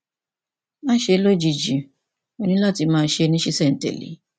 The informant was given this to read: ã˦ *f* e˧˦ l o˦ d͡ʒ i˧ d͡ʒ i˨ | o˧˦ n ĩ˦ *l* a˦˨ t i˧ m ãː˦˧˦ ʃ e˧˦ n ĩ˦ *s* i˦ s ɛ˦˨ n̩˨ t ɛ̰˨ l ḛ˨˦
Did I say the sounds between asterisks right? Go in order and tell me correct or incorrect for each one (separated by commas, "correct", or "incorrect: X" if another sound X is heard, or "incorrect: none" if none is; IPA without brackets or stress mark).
incorrect: ʃ, correct, incorrect: ʃ